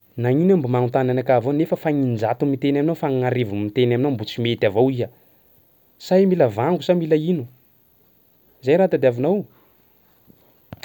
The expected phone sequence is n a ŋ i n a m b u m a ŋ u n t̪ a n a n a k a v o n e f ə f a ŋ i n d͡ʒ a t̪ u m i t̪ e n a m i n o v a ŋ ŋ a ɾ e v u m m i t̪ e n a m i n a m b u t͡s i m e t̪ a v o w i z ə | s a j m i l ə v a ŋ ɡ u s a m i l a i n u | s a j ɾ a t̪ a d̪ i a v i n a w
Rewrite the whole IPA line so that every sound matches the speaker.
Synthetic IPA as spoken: n a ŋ i n a m b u m a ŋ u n t̪ a n a n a k a v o n e f ə f a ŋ i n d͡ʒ a t̪ u m i t̪ e n a m i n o f a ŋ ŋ a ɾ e v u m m i t̪ e n a m i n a m b u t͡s i m e t̪ a v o w i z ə | s a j m i l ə v a ŋ ɡ u s a m i l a i n u | z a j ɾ a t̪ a d̪ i a v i n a w